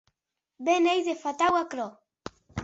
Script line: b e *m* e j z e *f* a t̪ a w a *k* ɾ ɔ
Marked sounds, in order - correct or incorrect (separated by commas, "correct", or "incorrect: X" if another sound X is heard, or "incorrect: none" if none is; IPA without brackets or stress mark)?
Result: incorrect: n, correct, correct